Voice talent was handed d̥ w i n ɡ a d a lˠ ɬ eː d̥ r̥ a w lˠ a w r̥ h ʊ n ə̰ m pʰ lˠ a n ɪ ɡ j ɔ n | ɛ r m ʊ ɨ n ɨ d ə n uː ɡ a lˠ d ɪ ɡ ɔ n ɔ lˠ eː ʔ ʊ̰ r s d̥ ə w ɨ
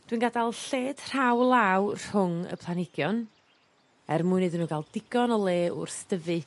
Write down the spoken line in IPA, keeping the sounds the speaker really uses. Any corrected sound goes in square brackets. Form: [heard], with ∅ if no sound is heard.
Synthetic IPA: d̥ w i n ɡ a d a lˠ ɬ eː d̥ r̥ a w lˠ a w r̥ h ʊ [ŋ] ə̰ [∅] pʰ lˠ a n ɪ ɡ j ɔ n | ɛ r m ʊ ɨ n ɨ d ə n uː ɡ a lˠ d ɪ ɡ ɔ n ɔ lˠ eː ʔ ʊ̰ r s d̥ ə [v] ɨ